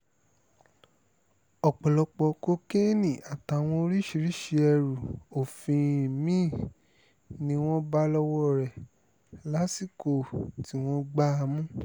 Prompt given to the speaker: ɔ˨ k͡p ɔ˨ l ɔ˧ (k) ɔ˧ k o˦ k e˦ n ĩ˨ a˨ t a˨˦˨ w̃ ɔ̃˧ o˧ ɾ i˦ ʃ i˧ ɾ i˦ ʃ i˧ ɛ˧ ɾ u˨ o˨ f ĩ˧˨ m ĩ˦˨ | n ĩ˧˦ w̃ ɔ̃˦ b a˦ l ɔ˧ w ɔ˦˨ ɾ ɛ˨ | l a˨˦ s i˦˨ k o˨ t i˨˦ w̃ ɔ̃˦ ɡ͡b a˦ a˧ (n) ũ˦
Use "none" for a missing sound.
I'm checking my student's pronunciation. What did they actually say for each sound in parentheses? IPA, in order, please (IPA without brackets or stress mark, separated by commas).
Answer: k͡p, m